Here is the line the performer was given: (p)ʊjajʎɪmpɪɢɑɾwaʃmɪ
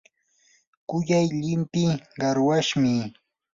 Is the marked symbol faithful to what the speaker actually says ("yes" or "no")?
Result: no